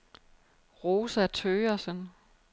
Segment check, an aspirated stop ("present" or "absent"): present